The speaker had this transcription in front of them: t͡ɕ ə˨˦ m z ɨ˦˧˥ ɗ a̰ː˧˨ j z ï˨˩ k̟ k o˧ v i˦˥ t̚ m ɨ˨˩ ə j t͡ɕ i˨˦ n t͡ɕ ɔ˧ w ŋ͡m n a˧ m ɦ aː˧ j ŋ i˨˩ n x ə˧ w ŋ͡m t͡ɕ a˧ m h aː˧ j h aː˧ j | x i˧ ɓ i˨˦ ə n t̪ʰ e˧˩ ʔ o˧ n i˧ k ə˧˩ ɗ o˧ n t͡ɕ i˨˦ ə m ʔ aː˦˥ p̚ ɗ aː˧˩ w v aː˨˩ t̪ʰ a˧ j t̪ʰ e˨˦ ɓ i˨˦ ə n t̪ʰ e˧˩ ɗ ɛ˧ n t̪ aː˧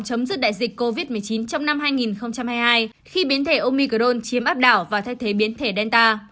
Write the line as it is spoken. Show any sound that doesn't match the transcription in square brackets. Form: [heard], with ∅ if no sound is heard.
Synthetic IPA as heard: t͡ɕ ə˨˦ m z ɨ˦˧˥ ɗ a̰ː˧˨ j z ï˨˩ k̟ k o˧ v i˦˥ t̚ m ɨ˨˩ ə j t͡ɕ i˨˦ n t͡ɕ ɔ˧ w ŋ͡m n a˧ m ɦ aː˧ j ŋ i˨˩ n x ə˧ w ŋ͡m t͡ɕ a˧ m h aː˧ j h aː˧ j | x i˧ ɓ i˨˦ ə n t̪ʰ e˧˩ ʔ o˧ [m] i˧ k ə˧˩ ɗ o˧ n t͡ɕ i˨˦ ə m ʔ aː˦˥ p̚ ɗ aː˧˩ w v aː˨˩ t̪ʰ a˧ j t̪ʰ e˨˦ ɓ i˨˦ ə n t̪ʰ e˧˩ ɗ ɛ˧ n t̪ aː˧

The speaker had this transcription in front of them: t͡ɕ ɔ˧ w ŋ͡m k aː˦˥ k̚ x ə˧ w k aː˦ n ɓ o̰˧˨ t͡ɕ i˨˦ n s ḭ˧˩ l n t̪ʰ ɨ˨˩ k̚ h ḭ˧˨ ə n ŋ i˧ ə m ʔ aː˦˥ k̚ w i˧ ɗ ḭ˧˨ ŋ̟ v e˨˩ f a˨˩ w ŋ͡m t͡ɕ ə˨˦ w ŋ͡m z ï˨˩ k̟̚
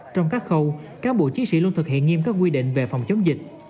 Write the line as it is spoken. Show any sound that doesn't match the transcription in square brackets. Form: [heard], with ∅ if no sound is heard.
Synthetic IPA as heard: t͡ɕ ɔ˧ w ŋ͡m k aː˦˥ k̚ x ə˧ w k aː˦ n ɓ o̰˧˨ t͡ɕ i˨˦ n s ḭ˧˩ l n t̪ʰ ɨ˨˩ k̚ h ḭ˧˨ ə n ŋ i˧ ə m [k] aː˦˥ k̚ w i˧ ɗ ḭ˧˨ ŋ̟ v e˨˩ f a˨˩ w ŋ͡m t͡ɕ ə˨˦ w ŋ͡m z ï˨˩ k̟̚

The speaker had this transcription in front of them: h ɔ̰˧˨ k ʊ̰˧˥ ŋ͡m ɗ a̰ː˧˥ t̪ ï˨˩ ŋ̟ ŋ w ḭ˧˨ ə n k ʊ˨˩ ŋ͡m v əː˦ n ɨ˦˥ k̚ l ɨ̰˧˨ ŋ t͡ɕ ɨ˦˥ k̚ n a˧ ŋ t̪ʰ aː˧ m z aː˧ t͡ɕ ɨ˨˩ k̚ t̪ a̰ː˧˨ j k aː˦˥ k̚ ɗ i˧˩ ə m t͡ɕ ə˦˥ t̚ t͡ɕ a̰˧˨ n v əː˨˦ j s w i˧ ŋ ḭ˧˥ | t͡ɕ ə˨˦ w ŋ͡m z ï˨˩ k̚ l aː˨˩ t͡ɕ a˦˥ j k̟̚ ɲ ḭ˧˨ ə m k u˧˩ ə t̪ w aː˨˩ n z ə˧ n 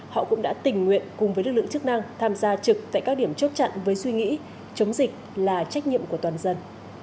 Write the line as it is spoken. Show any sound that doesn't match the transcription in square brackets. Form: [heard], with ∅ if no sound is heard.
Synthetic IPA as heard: h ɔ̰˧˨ k ʊ̰˧˥ ŋ͡m ɗ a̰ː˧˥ t̪ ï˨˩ ŋ̟ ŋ w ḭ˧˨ ə n k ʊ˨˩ ŋ͡m v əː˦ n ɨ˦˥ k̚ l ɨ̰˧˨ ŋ t͡ɕ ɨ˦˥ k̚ n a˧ ŋ t̪ʰ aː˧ m z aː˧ t͡ɕ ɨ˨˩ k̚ t̪ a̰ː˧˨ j k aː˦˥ k̚ ɗ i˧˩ ə m t͡ɕ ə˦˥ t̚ t͡ɕ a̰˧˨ n v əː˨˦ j s w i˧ ŋ ḭ˧˥ | t͡ɕ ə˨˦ w ŋ͡m z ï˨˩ k̚ l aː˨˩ t͡ɕ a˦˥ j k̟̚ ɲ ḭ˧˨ ə m k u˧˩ ə t̪ w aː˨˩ n z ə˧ n

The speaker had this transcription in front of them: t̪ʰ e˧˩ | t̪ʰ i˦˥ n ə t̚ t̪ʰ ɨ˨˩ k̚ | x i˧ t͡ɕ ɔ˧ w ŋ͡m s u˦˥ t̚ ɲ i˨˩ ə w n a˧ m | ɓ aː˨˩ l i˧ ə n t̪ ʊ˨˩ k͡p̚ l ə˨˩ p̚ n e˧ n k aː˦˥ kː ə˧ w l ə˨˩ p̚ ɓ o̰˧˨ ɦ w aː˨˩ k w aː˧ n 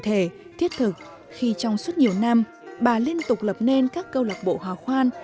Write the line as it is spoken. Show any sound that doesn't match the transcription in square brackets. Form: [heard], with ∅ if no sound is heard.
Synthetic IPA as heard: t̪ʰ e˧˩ | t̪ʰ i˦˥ [∅] ə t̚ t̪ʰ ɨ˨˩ k̚ | x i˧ t͡ɕ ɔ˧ w ŋ͡m s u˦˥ t̚ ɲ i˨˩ ə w n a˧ m | ɓ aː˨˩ l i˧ ə n t̪ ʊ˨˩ k͡p̚ l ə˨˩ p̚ n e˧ n k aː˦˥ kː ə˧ w l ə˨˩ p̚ ɓ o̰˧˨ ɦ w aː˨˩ [x] w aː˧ n

